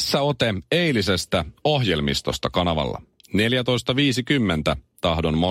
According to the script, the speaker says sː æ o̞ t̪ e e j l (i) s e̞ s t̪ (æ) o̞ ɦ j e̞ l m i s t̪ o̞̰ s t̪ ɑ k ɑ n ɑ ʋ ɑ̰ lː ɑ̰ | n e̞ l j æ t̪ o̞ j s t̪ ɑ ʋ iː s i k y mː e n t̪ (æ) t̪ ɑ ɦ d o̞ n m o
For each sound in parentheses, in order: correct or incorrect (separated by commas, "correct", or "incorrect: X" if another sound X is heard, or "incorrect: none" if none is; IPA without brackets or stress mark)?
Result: correct, correct, correct